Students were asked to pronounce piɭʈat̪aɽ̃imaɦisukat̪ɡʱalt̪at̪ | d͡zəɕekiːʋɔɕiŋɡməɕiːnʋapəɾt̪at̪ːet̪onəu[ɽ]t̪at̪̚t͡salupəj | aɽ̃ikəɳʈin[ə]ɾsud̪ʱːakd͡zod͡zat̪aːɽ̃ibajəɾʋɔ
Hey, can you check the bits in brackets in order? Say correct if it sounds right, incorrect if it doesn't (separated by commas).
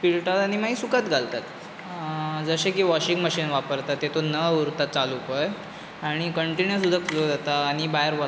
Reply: incorrect, correct